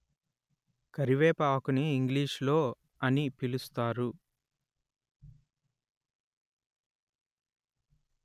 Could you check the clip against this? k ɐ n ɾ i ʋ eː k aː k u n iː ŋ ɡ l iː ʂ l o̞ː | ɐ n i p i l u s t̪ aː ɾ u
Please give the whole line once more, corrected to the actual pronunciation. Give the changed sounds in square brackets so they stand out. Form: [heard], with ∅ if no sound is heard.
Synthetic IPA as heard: k ɐ [∅] ɾ i ʋ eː [p] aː k u n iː ŋ ɡ l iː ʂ l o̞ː | ɐ n i p i l u s t̪ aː ɾ u